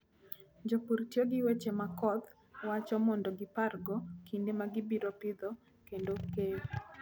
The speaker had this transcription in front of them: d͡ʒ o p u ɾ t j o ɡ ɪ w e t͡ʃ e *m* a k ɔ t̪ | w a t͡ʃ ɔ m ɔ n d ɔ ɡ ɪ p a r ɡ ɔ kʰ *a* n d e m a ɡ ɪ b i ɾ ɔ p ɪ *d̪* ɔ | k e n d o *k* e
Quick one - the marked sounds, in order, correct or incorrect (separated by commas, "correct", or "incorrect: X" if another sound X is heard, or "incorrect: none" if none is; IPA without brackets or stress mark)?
correct, incorrect: i, correct, correct